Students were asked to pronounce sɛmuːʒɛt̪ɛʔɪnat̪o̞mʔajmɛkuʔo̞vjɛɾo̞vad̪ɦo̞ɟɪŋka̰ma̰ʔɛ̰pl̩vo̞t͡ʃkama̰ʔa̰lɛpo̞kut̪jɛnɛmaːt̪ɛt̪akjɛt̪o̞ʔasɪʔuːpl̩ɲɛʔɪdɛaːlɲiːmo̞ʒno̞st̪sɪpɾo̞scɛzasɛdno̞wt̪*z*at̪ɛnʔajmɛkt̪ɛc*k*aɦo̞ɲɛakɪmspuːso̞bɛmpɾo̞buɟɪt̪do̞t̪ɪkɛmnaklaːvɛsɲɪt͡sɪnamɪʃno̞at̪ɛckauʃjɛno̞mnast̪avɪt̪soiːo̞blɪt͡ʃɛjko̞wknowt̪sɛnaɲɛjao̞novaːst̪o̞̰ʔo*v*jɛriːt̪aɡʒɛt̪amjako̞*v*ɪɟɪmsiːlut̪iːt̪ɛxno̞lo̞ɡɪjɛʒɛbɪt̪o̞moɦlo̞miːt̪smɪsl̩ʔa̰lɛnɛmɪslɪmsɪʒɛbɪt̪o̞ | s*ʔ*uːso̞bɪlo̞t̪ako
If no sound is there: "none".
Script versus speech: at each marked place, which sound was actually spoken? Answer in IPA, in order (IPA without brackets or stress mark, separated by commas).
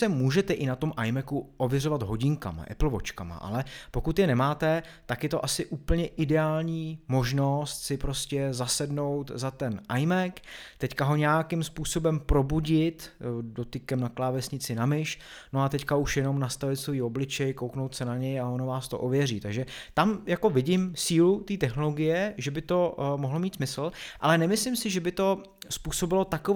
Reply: z, k, v, v, p